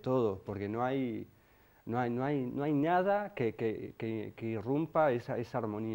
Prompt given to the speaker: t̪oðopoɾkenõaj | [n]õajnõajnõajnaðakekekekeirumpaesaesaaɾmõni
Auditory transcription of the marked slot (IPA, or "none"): n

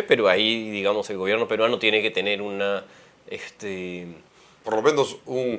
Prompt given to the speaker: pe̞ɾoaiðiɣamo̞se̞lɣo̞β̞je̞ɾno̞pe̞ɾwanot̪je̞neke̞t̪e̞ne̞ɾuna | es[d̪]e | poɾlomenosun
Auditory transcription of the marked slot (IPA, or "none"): t̪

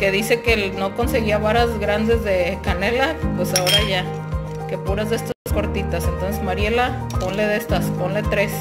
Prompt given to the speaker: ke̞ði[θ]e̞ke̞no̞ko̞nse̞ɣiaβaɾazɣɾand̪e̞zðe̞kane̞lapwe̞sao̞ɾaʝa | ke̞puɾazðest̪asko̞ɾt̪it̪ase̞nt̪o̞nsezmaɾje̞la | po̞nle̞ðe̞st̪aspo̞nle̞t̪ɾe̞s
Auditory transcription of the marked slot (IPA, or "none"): s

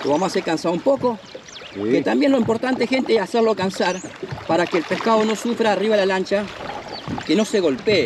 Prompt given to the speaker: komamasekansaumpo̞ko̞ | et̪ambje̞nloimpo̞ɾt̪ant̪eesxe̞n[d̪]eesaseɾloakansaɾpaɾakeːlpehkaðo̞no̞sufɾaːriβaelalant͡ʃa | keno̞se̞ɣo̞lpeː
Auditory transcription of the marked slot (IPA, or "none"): t̪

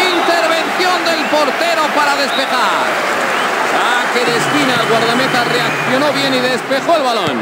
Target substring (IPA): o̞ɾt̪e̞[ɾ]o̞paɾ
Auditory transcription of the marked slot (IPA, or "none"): ɾ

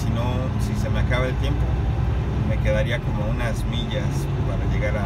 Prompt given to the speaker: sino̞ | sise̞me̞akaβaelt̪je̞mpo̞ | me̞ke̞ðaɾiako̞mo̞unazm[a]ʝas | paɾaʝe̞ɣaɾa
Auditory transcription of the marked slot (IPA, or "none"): i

